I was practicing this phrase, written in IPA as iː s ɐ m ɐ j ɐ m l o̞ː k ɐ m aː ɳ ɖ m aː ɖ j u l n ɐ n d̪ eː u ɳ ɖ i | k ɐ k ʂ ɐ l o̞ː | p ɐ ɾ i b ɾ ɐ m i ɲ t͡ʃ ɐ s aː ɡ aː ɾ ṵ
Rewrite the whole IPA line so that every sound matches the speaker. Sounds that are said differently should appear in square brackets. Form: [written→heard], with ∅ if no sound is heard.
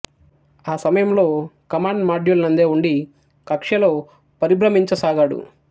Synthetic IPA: [iː→aː] s ɐ m ɐ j ɐ m l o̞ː k ɐ m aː ɳ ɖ m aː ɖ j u l n ɐ n d̪ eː u ɳ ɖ i | k ɐ k ʂ ɐ l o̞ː | p ɐ ɾ i b ɾ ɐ m i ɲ t͡ʃ ɐ s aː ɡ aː [ɾ→ɽ] ṵ